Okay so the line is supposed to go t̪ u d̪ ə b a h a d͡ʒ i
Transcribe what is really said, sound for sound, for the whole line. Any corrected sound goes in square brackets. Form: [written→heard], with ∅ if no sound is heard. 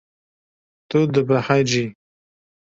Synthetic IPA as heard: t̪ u d̪ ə b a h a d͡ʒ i